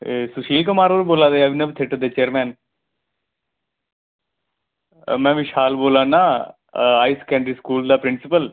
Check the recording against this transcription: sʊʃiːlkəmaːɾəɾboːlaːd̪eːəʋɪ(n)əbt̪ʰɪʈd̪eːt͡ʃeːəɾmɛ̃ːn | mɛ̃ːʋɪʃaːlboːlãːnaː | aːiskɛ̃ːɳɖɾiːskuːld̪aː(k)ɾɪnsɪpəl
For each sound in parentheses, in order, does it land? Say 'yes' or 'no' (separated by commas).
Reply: yes, no